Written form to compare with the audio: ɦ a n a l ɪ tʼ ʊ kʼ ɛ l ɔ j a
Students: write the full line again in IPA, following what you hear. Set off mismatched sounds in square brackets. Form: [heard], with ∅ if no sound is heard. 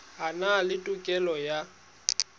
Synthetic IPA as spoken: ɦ a n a l ɪ tʼ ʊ kʼ ɛ l ɔ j a